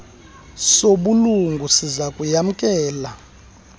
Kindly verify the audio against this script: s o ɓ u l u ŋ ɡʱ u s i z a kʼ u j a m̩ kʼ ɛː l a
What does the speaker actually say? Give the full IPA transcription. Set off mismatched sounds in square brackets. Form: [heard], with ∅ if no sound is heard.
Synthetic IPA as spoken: s o ɓ u l u ŋ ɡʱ u s i z a kʼ u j a m̩ kʼ ɛː l a